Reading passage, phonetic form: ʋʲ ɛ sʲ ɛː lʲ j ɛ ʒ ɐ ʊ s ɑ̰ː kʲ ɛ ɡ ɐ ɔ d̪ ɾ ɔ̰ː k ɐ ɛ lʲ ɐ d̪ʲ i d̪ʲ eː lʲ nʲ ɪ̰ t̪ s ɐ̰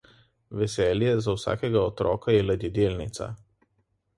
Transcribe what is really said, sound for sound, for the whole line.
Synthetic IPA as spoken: ʋʲ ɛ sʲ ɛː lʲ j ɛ z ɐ ʊ s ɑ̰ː kʲ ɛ ɡ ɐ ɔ t̪ ɾ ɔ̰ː k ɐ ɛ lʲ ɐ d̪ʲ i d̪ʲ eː lʲ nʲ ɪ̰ t̪ s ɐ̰

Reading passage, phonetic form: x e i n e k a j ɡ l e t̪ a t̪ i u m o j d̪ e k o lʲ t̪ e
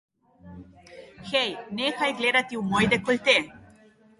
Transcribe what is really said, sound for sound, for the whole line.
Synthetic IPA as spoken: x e j n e x a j ɡ l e d̪ a t̪ i u m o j d̪ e k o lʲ t̪ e

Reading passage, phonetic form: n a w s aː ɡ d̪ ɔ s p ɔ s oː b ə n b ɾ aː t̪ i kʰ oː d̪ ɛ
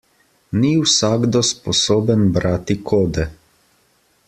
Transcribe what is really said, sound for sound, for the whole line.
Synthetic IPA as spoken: n i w s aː ɡ d̪ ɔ s p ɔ s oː b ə n b ɾ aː t̪ i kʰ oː d̪ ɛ

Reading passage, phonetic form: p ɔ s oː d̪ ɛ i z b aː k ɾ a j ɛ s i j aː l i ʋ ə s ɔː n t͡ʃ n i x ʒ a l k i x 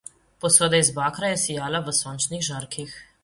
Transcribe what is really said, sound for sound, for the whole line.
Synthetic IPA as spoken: p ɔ s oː d̪ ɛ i z b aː k ɾ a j ɛ s i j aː l a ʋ ə s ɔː n t͡ʃ n i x ʒ a ɾ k i x

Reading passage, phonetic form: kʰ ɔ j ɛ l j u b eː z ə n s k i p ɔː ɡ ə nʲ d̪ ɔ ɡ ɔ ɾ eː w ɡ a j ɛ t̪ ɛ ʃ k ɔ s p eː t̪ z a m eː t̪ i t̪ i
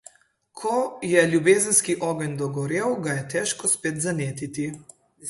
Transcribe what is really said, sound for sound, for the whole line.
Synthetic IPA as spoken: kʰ ɔ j ɛ l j u b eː z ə n s k i ʔ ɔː ɡ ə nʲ d̪ ɔ ɡ ɔ ɾ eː w ɡ a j ɛ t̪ ɛ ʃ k ɔ s p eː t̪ z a n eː t̪ i t̪ i

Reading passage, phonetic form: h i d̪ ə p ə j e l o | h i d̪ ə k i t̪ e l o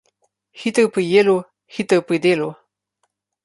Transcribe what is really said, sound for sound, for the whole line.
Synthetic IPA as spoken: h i t̪ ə p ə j e l o | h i t̪ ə p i d̪ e l o

